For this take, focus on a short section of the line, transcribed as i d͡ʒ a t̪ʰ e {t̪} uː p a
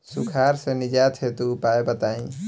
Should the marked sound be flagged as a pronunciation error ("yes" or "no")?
no